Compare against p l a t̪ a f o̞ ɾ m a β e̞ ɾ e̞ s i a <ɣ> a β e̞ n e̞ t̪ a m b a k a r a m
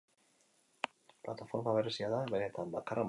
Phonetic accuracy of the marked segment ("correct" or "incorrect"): incorrect